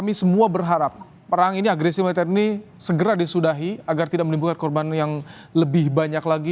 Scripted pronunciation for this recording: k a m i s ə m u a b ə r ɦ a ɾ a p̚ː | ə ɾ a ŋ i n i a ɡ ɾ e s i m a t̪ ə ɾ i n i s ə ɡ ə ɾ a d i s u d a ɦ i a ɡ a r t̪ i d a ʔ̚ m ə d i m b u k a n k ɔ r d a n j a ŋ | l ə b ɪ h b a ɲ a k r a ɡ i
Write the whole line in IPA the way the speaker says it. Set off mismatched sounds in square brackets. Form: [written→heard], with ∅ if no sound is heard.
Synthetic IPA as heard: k a m i s ə m u a b ə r ɦ a ɾ a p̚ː | ə ɾ a ŋ i n i a ɡ ɾ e s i m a t̪ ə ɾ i n i s ə ɡ ə ɾ a d i s u d a ɦ i a ɡ a r t̪ i d a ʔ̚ m ə [d→n] i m b u k a n k ɔ r [d→b] a n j a ŋ | l ə b ɪ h b a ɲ a k [r→l] a ɡ i

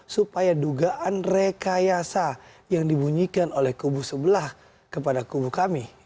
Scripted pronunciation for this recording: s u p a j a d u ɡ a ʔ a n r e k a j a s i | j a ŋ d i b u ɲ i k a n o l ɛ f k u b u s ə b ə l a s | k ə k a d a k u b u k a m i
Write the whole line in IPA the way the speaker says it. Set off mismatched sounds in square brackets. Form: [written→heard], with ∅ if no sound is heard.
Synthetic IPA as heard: s u p a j a d u ɡ a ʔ a n r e k a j a s [i→a] | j a ŋ d i b u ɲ i k a n o l ɛ [f→h] k u b u s ə b ə l a [s→h] | k ə [k→p] a d a k u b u k a m i

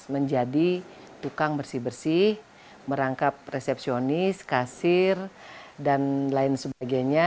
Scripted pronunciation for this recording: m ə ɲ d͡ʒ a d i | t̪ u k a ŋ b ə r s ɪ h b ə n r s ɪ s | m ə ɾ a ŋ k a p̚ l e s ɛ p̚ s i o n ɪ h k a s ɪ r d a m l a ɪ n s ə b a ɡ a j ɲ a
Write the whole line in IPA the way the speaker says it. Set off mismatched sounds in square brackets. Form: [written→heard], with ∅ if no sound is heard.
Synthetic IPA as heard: m ə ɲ d͡ʒ a d i | t̪ u k a ŋ b ə r s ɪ h b ə [n→∅] r s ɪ [s→h] | m ə ɾ a ŋ k a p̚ [l→r] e s ɛ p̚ s i o n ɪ [h→s] k a s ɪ r d a [m→n] l a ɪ n s ə b a ɡ a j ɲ a

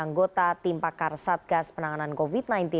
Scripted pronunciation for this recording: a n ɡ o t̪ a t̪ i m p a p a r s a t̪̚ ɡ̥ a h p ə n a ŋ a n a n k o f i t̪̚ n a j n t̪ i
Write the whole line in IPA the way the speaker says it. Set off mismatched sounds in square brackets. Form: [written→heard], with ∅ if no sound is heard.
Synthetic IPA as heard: a [n→ŋ] ɡ o t̪ a t̪ i m p a [p→k] a r s a t̪̚ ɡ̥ a [h→s] p ə n a ŋ a n a n k o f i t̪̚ n a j n t̪ i

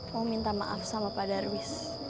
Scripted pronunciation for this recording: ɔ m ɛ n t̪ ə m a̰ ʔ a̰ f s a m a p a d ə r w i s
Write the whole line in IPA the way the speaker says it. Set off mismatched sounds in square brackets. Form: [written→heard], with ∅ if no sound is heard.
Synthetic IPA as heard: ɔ m [ɛ→i] n t̪ [ə→a] m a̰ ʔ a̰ f s a m a p a d [ə→a] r w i s

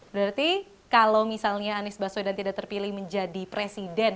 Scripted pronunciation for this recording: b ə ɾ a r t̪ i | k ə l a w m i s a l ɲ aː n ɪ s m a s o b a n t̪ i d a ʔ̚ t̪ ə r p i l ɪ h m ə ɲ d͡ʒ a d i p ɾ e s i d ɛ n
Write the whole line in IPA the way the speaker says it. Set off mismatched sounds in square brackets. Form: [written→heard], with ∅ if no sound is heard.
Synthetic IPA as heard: b ə ɾ a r t̪ i | k [ə→a] l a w m i s a l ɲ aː n ɪ s [m→b] a s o [b→d] a n t̪ i d a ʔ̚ t̪ ə r p i l ɪ h m ə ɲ d͡ʒ a d i p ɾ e s i d ɛ n

